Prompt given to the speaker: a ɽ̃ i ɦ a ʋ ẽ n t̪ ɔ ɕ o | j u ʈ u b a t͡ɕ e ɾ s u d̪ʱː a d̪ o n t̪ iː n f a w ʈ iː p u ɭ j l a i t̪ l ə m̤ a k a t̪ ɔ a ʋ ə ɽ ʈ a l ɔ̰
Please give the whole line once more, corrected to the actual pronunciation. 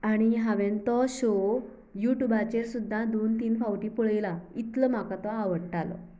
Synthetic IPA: a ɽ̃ i ɦ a ʋ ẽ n t̪ ɔ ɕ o | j u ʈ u b a t͡ɕ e ɾ s u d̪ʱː a d̪ o n t̪ iː n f a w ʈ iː p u ɭ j l a i t̪ l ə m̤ a k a t̪ ɔ a ʋ ə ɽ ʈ a l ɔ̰